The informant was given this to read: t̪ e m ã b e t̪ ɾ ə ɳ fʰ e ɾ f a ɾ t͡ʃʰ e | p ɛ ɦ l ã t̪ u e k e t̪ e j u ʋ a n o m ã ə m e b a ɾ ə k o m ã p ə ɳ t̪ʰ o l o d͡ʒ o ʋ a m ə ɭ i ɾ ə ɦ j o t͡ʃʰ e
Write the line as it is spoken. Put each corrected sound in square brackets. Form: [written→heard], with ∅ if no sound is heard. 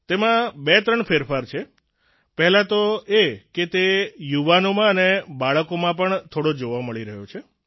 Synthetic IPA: t̪ e m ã b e t̪ ɾ ə ɳ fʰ e ɾ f a ɾ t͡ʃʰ e | p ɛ ɦ l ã t̪ [u→o] e k e t̪ e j u ʋ a n o m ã ə [m→n] e b a [ɾ→ɭ] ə k o m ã p ə ɳ t̪ʰ o [l→ɽ] o d͡ʒ o ʋ a m ə ɭ i ɾ ə ɦ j o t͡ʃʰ e